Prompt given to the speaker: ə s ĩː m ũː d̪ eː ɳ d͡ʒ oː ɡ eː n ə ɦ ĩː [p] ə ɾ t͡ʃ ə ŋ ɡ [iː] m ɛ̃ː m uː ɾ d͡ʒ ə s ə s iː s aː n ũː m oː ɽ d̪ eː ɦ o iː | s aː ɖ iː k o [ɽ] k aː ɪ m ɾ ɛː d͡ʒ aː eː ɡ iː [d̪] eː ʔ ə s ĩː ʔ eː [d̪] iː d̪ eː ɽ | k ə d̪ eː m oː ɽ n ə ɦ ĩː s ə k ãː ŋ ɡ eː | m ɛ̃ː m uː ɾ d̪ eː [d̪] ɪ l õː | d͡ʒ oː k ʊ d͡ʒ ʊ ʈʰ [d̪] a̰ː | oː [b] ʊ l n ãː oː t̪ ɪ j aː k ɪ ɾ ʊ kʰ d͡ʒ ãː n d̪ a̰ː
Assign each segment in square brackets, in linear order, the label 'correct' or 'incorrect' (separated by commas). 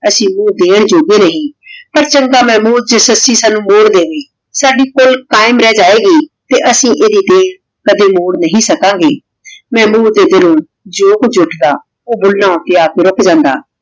correct, incorrect, incorrect, incorrect, correct, correct, correct, correct